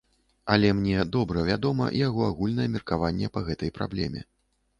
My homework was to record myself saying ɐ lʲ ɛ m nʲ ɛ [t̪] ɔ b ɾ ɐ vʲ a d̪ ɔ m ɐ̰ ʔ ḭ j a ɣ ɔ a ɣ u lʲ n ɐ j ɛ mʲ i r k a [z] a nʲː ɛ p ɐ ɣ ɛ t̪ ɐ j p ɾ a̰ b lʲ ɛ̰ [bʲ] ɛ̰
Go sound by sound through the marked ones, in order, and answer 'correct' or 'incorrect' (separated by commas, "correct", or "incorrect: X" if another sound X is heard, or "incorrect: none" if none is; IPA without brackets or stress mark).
incorrect: d̪, incorrect: v, incorrect: mʲ